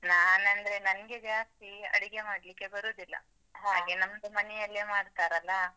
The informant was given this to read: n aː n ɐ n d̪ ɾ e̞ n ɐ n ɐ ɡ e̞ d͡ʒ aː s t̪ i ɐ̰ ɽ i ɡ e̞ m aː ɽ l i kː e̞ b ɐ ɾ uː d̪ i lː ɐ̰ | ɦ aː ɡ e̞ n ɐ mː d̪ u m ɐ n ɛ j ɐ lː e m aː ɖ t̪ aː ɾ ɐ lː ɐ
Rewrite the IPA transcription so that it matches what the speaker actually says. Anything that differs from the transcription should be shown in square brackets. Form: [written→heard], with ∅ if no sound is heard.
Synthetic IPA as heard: n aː n ɐ n d̪ ɾ e̞ n ɐ n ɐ ɡ e̞ d͡ʒ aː s t̪ i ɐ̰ ɽ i ɡ e̞ m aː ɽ l i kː e̞ b ɐ ɾ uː d̪ i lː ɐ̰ | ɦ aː ɡ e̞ n ɐ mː d̪ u m ɐ n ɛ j ɐ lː e m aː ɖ t̪ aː ɾ ɐ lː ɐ